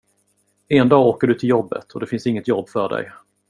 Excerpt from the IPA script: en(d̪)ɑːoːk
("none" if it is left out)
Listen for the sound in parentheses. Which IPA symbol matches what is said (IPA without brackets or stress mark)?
d̪